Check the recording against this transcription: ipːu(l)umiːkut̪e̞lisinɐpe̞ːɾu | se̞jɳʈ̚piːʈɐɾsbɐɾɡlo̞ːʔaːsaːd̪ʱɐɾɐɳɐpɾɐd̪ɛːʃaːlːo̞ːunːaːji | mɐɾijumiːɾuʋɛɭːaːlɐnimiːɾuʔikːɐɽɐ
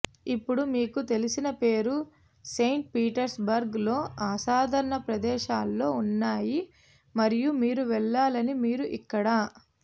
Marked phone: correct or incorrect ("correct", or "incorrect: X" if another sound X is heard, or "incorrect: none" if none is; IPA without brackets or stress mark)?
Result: incorrect: ɽ